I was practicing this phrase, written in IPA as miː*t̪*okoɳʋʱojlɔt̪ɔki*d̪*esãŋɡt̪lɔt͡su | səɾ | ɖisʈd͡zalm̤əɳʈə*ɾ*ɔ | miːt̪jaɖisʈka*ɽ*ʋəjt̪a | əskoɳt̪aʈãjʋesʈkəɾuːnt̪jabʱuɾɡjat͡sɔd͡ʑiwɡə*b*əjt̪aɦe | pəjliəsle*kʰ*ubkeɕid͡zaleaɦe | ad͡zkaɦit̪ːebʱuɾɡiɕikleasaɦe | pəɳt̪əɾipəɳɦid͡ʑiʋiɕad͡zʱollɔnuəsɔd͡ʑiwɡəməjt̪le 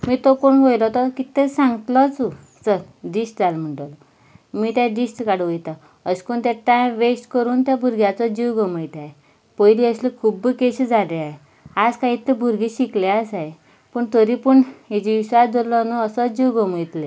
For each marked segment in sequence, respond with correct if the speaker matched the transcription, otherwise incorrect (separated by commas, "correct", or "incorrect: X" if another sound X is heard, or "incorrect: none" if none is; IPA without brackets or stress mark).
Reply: correct, incorrect: t̪, incorrect: l, correct, incorrect: m, correct